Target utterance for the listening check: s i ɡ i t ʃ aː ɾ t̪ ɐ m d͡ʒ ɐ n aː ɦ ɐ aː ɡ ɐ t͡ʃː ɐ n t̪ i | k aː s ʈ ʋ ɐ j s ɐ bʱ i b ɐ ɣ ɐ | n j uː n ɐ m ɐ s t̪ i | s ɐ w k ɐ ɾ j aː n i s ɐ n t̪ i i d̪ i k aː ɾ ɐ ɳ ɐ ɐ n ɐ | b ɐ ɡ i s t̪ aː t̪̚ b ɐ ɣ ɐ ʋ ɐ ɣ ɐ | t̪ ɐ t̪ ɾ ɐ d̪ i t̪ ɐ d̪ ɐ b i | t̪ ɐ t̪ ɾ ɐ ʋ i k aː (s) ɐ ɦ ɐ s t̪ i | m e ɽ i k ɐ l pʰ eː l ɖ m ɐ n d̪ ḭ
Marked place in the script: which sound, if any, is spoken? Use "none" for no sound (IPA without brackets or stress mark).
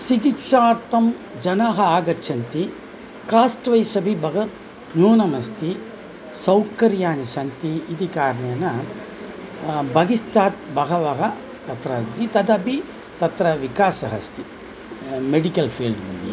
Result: s